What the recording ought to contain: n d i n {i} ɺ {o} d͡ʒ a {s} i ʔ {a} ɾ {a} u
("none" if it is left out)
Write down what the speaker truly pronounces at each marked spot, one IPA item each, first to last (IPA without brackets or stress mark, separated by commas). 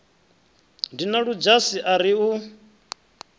a, u, s, a, i